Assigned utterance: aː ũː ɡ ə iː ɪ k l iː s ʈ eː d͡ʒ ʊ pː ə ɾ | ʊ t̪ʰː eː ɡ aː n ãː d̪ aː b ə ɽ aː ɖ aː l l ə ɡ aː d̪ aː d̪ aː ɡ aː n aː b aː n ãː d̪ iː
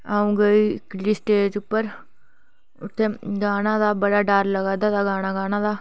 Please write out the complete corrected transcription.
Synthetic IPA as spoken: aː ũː ɡ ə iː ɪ k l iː s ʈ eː d͡ʒ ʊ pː ə ɾ | ʊ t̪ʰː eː ɡ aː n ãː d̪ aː b ə ɽ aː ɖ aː ɾ l ə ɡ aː d̪ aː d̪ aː ɡ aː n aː ɡ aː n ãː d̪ aː

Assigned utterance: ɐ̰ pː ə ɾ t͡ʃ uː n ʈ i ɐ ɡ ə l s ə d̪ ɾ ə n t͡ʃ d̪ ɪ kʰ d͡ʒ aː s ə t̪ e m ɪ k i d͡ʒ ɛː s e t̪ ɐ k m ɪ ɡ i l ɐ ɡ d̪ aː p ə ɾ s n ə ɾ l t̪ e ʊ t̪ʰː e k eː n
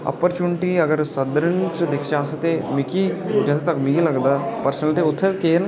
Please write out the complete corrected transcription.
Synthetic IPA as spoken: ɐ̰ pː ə ɾ t͡ʃ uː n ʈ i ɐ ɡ ə ɾ s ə d̪ ɾ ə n t͡ʃ d̪ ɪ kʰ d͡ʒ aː s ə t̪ e m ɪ k i d͡ʒ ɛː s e t̪ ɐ k m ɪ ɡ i l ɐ ɡ d̪ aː p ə ɾ s n ə l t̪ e ʊ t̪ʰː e k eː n

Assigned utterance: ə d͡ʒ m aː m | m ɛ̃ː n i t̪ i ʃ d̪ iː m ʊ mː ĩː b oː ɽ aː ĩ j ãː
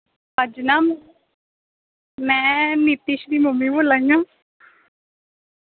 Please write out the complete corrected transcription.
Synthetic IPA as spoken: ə d͡ʒ n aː m | m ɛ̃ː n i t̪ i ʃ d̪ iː m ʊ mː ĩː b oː l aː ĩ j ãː

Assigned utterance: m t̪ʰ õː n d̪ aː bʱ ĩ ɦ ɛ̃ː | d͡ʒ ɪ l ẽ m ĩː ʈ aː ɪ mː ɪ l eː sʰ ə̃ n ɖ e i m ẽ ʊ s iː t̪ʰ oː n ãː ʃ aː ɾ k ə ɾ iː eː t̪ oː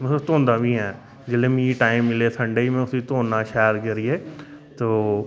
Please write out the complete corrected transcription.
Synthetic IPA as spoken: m t̪ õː n d̪ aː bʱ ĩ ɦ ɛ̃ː | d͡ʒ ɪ l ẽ m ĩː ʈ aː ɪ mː ɪ l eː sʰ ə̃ ɳ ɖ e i m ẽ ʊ s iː t̪ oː n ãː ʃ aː ɾ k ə ɾ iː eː t̪ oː

